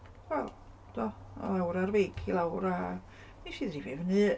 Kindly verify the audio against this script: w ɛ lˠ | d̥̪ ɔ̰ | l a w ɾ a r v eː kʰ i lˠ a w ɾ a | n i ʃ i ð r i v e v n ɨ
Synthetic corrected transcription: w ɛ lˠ | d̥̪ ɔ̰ | l a w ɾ a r v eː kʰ i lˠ a w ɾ a | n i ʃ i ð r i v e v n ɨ

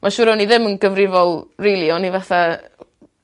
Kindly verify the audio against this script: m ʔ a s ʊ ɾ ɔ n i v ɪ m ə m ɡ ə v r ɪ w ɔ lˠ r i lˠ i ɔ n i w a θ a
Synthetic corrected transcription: m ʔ a ʃ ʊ ɾ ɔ n i ð ɪ m ə n ɡ ə v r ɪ v ɔ lˠ r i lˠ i ɔ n i v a θ a

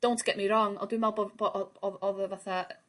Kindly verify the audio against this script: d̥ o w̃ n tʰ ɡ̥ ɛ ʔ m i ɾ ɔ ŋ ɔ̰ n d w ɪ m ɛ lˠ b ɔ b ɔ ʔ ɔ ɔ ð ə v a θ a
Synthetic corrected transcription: d̥ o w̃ n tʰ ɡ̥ ɛ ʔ m i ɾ ɔ ŋ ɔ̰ n d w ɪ m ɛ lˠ b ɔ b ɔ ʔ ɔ ɔ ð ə v a θ a

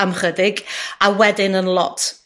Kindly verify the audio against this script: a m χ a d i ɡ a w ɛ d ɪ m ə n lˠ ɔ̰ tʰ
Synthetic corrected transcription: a m χ ə d ɪ ɡ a w ɛ d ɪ n ə n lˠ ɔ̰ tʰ

